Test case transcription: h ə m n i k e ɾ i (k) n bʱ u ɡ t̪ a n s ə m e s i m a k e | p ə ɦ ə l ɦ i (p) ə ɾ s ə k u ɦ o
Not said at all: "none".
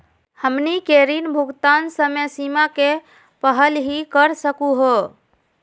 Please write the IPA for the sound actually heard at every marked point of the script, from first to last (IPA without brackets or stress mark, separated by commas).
none, k